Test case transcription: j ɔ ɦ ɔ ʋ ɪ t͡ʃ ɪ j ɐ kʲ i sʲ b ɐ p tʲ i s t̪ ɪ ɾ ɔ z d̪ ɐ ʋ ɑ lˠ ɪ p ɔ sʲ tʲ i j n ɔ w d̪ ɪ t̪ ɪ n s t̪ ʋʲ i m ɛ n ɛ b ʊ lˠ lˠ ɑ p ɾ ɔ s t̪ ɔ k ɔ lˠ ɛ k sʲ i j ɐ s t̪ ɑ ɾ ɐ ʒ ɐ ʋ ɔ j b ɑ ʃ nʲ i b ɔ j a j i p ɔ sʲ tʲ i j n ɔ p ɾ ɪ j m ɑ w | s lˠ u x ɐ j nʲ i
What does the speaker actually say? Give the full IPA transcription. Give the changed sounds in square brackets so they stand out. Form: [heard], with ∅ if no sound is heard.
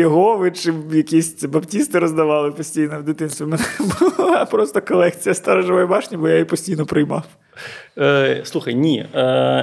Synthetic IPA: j ɔ ɦ ɔ ʋ ɪ t͡ʃ ɪ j ɐ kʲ i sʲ b ɐ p tʲ i s t̪ ɪ ɾ ɔ z d̪ ɐ ʋ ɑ lˠ ɪ p ɔ sʲ tʲ i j n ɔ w d̪ ɪ t̪ ɪ n s t̪ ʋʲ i m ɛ n ɛ b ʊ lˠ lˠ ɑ p ɾ ɔ s t̪ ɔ k ɔ lˠ ɛ k [t͡sʲ] i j ɐ s t̪ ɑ ɾ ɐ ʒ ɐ ʋ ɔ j b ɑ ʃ nʲ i b ɔ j a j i p ɔ sʲ tʲ i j n ɔ p ɾ ɪ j m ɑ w | s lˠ u x ɐ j nʲ i